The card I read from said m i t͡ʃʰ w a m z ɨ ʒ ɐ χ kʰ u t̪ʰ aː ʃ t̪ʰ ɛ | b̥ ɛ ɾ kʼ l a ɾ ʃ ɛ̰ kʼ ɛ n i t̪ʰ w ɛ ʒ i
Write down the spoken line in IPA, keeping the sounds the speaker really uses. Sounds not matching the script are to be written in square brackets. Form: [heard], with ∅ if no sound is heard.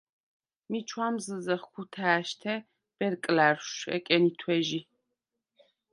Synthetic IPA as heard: m i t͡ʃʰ w a m z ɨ [z] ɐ χ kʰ u t̪ʰ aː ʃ t̪ʰ ɛ | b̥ ɛ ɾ kʼ l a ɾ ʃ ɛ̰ kʼ ɛ n i t̪ʰ w ɛ ʒ i